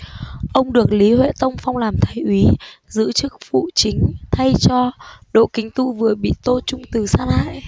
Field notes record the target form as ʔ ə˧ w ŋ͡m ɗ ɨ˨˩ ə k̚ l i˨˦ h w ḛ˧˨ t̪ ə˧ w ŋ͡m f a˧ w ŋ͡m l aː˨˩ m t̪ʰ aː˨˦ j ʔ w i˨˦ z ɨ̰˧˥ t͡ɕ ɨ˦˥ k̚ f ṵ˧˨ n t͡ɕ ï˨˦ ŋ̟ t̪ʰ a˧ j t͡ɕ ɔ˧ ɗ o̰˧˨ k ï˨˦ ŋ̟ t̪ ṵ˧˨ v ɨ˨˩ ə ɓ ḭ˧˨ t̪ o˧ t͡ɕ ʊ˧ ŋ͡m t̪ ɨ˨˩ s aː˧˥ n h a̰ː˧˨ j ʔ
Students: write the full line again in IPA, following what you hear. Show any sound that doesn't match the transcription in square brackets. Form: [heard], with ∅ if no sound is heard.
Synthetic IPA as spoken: ʔ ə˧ w ŋ͡m ɗ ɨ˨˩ ə k̚ l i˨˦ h w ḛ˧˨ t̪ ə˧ w ŋ͡m f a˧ w ŋ͡m l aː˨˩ m t̪ʰ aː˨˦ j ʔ w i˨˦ z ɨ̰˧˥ t͡ɕ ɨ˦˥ k̚ f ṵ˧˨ [∅] t͡ɕ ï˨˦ ŋ̟ t̪ʰ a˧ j t͡ɕ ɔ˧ ɗ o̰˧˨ k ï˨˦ ŋ̟ t̪ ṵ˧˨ v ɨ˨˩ ə ɓ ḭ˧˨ t̪ o˧ t͡ɕ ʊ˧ ŋ͡m t̪ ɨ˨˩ s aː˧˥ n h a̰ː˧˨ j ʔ